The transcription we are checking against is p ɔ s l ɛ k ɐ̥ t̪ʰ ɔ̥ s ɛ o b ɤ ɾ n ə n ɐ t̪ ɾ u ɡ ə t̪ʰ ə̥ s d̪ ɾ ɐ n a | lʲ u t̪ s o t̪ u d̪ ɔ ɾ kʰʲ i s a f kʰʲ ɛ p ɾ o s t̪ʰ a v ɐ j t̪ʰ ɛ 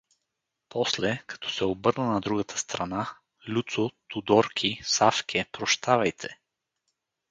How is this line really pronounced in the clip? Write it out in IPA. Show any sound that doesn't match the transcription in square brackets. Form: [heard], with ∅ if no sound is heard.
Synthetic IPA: p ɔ s l ɛ k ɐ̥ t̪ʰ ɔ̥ s ɛ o b ɤ ɾ n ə n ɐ [d̪] ɾ u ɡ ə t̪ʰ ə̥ s [t̪] ɾ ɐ n a | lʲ u t̪ s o t̪ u d̪ ɔ ɾ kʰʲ i s a f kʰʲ ɛ p ɾ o [ʃ] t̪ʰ a v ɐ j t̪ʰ ɛ